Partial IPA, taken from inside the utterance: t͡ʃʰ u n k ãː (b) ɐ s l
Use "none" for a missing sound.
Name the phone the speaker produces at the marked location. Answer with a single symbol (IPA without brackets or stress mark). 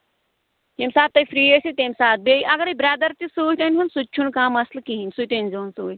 m